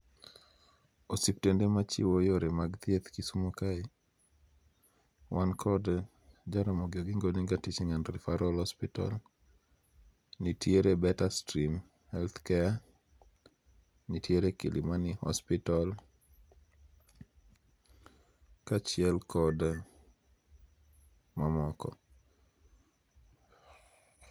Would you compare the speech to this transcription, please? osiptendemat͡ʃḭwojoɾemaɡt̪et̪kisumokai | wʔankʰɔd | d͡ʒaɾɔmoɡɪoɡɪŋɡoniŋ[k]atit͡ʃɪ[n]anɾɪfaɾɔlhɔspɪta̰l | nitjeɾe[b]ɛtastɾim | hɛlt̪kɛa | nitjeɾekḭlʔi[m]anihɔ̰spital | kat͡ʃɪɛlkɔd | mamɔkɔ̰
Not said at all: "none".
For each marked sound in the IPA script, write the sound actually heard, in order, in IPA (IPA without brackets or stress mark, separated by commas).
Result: ɡ, ŋ, b, m